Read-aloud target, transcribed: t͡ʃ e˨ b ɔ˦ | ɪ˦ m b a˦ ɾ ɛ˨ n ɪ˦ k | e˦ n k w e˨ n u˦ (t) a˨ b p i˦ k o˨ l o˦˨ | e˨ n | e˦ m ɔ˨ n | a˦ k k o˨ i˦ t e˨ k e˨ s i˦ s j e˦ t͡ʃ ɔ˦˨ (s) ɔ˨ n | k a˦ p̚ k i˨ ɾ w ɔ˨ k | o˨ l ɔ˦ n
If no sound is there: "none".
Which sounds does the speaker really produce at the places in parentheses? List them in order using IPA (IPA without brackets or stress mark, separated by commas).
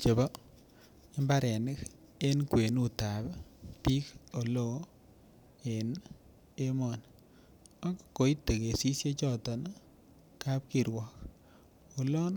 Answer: t, t